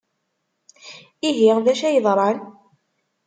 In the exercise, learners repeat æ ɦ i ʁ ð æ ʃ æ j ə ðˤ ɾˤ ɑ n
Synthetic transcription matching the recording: i ɦ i ʁ ð æ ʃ æ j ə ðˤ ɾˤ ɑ n